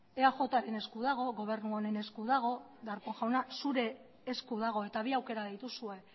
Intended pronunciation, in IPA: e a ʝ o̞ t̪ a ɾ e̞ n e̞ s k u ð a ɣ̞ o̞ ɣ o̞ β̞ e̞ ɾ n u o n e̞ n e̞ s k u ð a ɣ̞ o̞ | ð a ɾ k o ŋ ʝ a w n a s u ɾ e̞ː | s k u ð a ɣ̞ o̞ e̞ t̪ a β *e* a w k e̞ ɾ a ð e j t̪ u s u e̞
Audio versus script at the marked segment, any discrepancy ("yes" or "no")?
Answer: yes